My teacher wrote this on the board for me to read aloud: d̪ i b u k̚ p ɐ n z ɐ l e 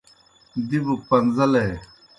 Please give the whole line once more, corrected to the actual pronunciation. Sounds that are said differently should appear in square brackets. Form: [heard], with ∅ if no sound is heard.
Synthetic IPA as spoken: d̪ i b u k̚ p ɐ n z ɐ l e